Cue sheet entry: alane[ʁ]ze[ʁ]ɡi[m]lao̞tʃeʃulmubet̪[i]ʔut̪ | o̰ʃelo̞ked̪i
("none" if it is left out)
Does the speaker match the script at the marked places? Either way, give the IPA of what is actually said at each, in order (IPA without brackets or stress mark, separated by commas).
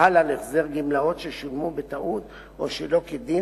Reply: χ, ʁ, m, a